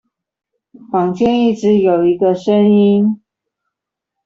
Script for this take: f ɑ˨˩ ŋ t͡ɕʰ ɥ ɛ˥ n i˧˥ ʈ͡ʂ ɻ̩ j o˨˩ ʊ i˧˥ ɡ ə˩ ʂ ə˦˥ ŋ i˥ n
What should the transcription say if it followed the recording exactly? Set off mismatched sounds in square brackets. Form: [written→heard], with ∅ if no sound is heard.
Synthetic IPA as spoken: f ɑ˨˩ ŋ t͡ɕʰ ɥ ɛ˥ n [i˧˥→i˥˩] ʈ͡ʂ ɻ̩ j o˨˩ ʊ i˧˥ ɡ [ə˩→ə˧] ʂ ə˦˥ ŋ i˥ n